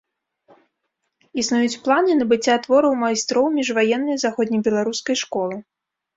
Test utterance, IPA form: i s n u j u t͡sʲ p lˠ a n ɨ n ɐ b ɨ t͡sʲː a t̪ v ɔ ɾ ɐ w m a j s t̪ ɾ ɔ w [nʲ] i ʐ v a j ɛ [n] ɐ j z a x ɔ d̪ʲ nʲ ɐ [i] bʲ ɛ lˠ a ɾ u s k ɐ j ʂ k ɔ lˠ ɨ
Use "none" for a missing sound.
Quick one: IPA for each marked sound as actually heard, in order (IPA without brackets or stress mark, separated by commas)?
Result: mʲ, nː, j